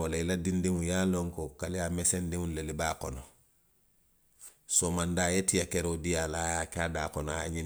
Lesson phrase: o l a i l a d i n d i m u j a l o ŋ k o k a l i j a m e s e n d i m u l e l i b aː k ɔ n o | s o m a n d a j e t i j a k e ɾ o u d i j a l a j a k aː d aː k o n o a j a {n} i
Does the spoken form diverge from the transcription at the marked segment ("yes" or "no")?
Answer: yes